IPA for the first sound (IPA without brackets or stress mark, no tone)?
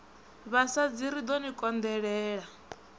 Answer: β